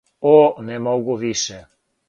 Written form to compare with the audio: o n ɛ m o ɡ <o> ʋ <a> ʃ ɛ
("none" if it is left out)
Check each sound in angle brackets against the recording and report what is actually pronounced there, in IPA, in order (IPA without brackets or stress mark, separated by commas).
u, i